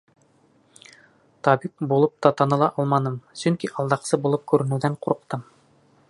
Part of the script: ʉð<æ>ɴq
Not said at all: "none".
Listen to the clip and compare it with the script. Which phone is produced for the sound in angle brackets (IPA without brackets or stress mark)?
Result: æ